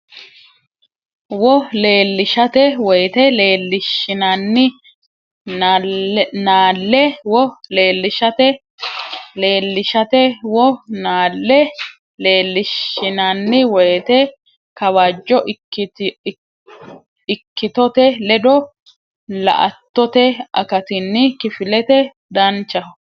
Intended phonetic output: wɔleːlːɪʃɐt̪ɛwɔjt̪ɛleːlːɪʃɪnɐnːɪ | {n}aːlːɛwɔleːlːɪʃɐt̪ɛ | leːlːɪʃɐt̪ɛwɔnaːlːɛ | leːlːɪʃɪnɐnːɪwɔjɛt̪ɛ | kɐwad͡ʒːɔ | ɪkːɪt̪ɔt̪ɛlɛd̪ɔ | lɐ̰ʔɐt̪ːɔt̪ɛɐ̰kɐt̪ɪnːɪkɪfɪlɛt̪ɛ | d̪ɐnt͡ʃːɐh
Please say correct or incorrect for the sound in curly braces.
correct